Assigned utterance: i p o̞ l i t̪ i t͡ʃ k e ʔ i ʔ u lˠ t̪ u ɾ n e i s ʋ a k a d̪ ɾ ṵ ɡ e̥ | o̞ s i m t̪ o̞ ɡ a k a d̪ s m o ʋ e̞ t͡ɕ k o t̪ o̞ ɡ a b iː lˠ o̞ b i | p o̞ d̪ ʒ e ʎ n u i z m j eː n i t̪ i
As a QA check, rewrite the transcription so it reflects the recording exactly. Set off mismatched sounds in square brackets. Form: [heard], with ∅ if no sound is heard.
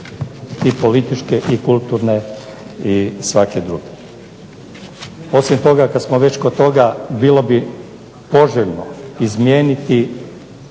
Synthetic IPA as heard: i p o̞ l i t̪ i t͡ʃ k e ʔ i [k] u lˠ t̪ u ɾ n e i s ʋ a k [e] d̪ ɾ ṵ ɡ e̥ | o̞ s i m t̪ o̞ ɡ a k a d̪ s m o ʋ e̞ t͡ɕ k o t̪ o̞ ɡ a b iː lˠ o̞ b i | p o̞ [∅] ʒ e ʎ n [o] i z m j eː n i t̪ i